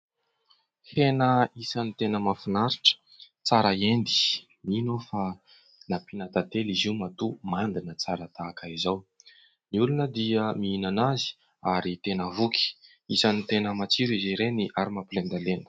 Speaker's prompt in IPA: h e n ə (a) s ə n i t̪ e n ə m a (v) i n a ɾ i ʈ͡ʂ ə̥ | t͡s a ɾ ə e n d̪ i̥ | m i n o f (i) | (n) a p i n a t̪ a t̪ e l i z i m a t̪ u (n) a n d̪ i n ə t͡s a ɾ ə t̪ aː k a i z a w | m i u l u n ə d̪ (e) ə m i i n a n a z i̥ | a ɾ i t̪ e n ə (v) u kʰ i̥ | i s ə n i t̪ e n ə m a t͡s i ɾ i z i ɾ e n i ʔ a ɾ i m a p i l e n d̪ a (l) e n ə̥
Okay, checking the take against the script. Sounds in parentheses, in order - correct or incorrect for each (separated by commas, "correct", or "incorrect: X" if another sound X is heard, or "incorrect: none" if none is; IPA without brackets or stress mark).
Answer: incorrect: i, incorrect: f, incorrect: a, correct, incorrect: m, incorrect: i, correct, correct